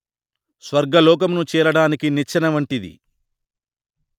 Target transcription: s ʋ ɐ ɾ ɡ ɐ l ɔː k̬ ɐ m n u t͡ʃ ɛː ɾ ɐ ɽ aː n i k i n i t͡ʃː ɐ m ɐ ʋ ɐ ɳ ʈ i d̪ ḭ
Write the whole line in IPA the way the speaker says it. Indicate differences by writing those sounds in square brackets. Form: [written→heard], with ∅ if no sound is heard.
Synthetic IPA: s ʋ ɐ ɾ ɡ ɐ l ɔː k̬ ɐ m n u t͡ʃ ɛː ɾ ɐ ɽ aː n i k i n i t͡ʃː ɐ [m→n] ɐ ʋ ɐ ɳ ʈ i d̪ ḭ